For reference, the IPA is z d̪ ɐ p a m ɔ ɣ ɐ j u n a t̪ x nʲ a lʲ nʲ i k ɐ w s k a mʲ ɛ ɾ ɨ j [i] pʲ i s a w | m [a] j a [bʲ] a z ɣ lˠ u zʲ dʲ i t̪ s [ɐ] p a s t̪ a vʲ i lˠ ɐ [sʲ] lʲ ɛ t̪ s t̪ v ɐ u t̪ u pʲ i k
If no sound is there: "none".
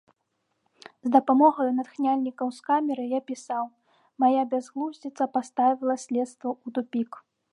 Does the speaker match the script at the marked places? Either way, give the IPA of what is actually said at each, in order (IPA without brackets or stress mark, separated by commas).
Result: a, a, bʲ, ɐ, sʲ